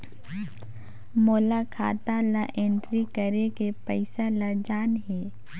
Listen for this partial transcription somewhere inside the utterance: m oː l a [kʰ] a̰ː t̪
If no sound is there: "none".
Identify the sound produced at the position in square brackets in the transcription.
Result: kʰ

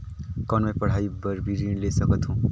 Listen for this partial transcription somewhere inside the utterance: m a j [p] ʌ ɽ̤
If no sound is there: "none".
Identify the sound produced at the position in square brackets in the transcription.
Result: p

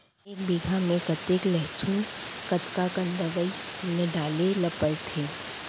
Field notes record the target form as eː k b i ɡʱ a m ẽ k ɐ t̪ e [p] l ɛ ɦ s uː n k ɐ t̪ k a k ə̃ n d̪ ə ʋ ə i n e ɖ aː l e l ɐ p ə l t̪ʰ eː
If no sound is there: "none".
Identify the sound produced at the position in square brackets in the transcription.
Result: k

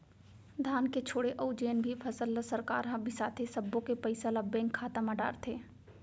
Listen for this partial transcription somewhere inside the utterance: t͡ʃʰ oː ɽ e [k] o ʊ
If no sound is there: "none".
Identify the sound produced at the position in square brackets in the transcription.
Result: ʔ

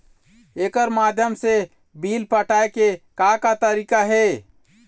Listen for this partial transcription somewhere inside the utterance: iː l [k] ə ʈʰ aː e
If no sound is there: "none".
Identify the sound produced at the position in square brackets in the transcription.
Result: p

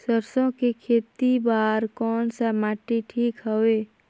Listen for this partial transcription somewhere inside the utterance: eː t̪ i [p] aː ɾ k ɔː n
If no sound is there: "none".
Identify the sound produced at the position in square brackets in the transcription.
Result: b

